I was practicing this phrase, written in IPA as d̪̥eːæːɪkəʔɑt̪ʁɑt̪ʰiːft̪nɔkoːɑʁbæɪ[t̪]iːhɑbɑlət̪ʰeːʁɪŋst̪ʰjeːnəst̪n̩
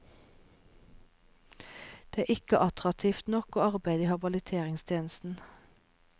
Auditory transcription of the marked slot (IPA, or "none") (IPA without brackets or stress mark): d̪